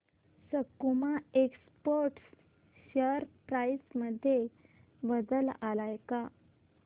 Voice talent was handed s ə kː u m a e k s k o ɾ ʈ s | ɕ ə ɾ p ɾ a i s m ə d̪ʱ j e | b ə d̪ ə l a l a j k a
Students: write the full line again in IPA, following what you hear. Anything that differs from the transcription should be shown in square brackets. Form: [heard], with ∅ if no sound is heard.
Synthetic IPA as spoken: s ə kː u m a e k s [p] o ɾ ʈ s | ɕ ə ɾ p ɾ a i s m ə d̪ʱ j e | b ə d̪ ə l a l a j k a